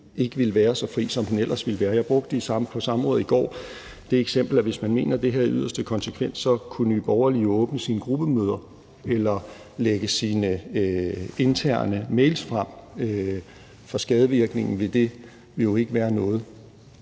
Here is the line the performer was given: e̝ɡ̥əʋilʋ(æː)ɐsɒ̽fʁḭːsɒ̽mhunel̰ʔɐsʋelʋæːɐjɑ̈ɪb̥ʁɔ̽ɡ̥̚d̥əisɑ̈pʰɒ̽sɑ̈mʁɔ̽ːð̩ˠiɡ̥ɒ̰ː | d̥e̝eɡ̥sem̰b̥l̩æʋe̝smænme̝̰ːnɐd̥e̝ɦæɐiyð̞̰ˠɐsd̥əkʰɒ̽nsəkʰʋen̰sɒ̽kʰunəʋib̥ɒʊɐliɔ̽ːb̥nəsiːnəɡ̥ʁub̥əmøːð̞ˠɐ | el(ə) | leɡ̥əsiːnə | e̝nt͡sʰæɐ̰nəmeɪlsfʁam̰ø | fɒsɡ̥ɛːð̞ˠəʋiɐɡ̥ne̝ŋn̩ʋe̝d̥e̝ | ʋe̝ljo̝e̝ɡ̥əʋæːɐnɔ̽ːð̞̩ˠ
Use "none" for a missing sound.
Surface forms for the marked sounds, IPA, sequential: æː, ɐ

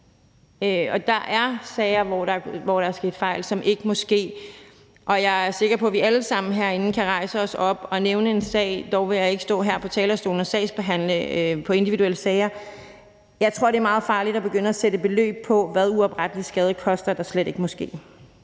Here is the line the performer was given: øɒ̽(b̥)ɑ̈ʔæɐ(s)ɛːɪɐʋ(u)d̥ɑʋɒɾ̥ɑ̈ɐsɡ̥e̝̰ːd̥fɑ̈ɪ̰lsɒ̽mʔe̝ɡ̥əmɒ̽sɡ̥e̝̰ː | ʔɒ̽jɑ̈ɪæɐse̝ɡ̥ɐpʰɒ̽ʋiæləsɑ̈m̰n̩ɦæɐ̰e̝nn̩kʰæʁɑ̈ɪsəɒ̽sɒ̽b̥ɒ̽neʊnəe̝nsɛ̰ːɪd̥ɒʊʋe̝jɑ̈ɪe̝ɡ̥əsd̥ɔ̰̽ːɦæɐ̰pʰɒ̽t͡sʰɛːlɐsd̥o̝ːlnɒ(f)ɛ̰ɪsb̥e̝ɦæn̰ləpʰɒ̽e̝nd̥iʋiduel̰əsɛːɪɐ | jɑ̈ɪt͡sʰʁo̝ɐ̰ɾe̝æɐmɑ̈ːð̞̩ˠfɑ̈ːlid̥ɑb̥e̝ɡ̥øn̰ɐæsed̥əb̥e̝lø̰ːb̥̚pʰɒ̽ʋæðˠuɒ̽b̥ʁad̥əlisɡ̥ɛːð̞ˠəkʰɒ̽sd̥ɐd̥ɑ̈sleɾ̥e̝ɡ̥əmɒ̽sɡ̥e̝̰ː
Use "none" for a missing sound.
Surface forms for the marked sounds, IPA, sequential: d̥, s, ɒ, s

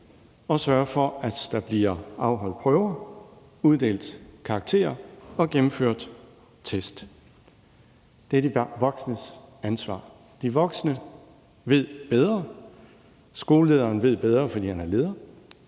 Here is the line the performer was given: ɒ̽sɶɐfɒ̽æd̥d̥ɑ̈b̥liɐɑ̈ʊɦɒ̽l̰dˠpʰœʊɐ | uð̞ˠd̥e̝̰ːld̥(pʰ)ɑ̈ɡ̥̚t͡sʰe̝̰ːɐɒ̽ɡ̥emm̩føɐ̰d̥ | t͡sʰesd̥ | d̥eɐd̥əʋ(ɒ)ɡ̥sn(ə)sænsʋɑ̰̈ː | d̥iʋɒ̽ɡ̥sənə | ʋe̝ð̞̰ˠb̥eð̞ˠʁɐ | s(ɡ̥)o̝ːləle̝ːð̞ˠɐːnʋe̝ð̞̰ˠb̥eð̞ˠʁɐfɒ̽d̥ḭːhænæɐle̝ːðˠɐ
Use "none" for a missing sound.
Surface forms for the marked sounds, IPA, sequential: kʰ, ɒ, ə, ɡ̥

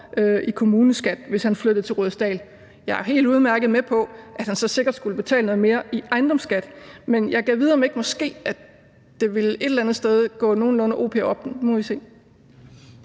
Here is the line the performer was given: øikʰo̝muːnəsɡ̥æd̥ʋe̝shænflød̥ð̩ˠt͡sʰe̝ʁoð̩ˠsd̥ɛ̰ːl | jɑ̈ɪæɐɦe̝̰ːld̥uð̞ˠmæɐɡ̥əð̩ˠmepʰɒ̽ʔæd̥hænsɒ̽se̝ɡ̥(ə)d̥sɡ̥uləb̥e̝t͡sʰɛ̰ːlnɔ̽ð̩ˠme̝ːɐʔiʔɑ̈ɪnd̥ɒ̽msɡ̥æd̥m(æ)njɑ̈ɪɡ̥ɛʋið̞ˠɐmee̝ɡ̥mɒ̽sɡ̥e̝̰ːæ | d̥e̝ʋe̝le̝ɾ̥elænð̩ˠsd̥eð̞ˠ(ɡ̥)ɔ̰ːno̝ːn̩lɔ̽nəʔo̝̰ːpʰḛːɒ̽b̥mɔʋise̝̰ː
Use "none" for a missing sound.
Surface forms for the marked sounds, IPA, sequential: ɐ, e, ɡ̥

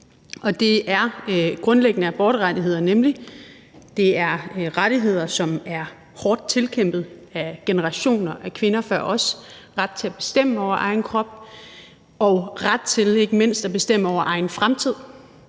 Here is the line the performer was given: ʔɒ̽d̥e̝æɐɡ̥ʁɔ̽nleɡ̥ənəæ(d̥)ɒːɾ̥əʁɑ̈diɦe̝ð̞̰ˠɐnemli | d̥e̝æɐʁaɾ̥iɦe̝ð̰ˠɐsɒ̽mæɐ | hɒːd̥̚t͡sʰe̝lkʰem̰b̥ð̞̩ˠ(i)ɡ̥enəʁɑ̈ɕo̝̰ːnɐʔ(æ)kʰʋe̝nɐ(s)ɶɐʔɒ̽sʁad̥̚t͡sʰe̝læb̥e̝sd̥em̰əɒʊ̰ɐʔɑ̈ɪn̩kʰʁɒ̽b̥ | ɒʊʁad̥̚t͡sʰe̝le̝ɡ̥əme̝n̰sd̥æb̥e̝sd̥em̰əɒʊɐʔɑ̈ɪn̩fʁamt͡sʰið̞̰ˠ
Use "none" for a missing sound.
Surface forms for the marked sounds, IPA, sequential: b̥, æ, æ, f

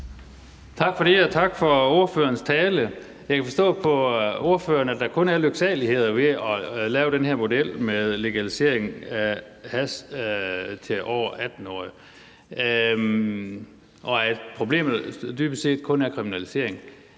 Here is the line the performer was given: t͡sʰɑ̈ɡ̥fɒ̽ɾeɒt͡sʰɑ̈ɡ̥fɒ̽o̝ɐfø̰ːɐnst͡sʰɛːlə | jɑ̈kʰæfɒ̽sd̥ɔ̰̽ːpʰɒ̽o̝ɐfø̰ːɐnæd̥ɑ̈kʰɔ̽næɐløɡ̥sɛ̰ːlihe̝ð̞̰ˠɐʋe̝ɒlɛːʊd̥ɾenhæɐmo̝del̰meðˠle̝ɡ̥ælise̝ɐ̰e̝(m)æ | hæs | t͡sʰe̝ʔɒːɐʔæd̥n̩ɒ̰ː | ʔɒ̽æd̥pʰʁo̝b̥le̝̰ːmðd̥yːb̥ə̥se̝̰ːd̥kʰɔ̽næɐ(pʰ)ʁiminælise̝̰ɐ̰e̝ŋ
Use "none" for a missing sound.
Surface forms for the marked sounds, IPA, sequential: ŋ, kʰ

